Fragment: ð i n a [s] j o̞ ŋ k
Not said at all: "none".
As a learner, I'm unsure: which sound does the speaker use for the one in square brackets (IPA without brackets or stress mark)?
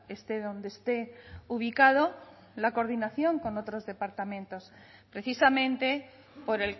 θ